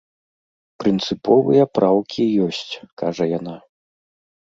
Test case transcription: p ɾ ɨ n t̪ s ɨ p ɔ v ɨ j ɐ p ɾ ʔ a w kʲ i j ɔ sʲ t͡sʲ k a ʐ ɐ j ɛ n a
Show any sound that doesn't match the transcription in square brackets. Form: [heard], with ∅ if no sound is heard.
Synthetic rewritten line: p ɾ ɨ n t̪ s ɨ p ɔ v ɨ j ɐ p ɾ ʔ a w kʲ i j ɔ sʲ t͡sʲ k a ʐ ɐ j [a] n a